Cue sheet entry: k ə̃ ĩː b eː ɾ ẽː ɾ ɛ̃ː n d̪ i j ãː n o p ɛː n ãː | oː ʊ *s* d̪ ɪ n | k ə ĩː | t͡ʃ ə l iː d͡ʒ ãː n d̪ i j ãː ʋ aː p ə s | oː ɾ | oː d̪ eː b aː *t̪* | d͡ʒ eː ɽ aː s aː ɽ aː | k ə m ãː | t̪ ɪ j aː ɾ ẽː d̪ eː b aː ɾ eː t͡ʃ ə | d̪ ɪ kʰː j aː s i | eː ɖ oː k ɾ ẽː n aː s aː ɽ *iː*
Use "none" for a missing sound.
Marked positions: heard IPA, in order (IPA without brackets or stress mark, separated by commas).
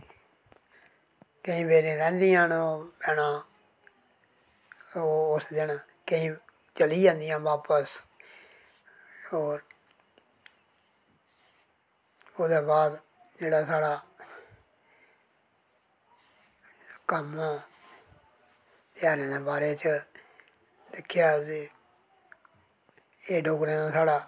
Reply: s, d̪, aː